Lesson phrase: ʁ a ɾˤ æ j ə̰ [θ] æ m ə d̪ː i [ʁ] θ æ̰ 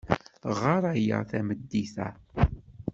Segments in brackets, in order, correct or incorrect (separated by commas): correct, incorrect